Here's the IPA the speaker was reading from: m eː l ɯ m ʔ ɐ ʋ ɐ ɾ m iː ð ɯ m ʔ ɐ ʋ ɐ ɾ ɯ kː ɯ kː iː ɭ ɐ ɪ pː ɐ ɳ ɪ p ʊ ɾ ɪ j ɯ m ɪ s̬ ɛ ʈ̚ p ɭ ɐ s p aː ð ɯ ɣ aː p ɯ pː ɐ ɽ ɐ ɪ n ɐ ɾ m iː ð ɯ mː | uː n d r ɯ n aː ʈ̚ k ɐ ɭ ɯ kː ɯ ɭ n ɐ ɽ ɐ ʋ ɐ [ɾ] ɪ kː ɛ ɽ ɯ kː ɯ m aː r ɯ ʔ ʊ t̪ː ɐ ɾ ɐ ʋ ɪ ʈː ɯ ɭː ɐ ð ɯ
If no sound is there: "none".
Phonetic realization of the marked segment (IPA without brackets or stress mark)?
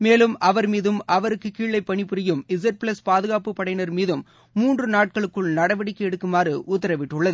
ɽ